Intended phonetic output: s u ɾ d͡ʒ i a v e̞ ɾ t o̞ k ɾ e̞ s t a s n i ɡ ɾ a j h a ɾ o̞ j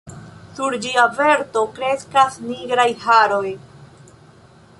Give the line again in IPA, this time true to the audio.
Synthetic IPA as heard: s u ɾ d͡ʒ i a v e̞ ɾ t o̞ k ɾ e̞ s k a s n i ɡ ɾ a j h a ɾ o̞ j

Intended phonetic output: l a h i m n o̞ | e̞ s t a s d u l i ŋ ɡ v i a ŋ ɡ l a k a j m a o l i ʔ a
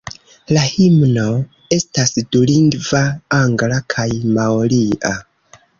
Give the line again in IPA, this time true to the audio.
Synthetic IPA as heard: l a h i m n o̞ | e̞ s t a s d u l i ŋ ɡ v a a ŋ ɡ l a kʰ a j m a o l i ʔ a

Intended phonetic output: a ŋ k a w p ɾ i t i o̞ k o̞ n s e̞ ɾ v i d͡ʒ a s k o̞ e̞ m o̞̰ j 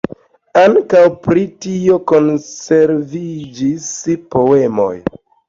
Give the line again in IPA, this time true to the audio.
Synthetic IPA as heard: a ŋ k a w p ɾ i t i o̞ k o̞ n s e̞ ɾ v i d͡ʒ i s p o̞ e̞ m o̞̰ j

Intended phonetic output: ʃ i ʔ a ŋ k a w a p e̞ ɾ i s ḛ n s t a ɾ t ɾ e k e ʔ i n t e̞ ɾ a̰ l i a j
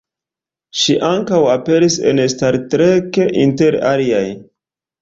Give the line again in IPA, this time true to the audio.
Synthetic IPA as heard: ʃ i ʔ a ŋ k a w a p e̞ ɾ i s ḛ n s t a ɾ t ɾ e k e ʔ i n t e̞ ɾ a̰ l i a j

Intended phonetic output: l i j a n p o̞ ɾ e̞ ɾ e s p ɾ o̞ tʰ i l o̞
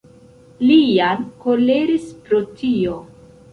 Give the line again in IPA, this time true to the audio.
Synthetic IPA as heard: l i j a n k o̞ l e̞ ɾ i s p ɾ o̞ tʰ i o̞

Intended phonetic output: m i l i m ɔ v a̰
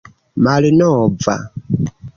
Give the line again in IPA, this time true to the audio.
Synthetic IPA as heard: m a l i n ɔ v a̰

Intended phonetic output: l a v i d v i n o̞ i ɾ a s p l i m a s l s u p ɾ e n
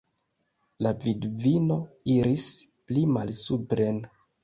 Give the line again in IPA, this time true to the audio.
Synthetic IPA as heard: l a v i d v i n o̞ i ɾ i s p l i m a l s u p ɾ e n

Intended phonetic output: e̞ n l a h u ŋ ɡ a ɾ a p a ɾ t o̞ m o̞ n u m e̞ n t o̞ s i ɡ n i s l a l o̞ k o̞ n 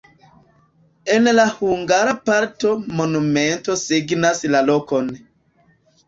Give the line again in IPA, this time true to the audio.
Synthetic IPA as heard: e̞ n l a h u ŋ ɡ a ɾ a p a ɾ t o̞ m o̞ n u m e̞ n t o̞ s i ɡ n a s l a l o̞ k o̞ n

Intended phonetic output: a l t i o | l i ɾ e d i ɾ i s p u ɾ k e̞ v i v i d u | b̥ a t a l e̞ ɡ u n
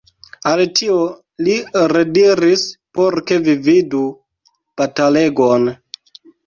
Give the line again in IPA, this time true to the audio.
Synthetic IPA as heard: a l t i o | l i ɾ e d i ɾ i s p o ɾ k e̞ v i v i d u | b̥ a t a l e̞ ɡ o n

